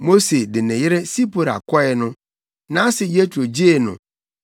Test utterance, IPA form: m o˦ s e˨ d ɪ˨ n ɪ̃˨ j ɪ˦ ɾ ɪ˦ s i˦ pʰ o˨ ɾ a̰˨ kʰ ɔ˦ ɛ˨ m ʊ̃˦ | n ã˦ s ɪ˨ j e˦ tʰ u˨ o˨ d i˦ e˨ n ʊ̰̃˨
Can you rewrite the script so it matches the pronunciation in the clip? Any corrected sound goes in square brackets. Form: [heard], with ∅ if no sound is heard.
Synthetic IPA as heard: m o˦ s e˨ d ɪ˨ n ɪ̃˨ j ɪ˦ ɾ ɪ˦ s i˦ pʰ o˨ ɾ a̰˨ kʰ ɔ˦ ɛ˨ [n] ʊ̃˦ | n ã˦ s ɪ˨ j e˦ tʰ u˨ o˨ [d͡ʑ] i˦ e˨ n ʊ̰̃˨